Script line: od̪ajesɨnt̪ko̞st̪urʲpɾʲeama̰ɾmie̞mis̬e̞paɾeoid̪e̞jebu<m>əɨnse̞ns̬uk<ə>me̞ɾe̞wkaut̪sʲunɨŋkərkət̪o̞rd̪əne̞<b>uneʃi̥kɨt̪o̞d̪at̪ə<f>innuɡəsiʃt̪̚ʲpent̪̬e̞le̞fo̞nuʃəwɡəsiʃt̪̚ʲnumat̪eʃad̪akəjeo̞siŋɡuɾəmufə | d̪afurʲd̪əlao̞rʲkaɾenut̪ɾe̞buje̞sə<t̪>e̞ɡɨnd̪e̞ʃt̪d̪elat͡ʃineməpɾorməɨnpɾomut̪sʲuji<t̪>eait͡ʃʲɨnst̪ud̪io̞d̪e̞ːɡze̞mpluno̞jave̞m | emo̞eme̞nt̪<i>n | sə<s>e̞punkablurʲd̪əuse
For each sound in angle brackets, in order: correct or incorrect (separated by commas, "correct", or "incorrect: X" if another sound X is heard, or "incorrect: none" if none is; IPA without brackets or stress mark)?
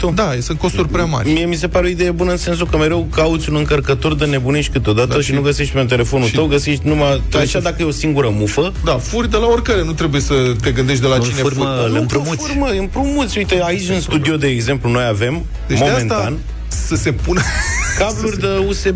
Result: incorrect: n, correct, correct, incorrect: ʃ, correct, correct, incorrect: a, correct